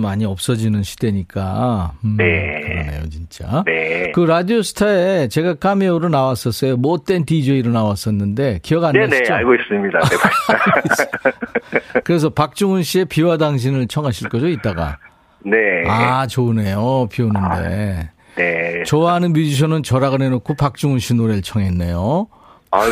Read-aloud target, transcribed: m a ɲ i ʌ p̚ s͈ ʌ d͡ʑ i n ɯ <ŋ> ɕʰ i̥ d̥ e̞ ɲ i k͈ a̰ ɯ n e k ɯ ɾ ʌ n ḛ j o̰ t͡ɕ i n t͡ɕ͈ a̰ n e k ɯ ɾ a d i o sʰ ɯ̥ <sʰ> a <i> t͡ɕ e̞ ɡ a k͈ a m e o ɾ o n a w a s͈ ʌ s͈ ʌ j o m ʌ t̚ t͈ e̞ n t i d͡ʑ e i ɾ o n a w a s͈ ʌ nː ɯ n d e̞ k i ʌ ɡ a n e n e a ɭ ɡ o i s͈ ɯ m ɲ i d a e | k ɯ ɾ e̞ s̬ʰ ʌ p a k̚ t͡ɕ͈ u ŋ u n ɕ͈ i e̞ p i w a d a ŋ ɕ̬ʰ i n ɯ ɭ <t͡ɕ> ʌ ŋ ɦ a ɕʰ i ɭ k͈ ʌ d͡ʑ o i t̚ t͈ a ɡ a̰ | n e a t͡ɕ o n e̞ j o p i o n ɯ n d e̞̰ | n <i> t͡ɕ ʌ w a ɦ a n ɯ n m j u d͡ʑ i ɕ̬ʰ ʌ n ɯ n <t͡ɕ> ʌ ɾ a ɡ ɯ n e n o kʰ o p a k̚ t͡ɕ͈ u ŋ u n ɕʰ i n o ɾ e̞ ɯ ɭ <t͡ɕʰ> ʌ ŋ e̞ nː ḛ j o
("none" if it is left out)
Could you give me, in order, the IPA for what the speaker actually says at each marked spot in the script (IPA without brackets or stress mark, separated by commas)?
n, tʰ, e, t͡ɕʰ, e, t͡ɕ, t͡ɕʰ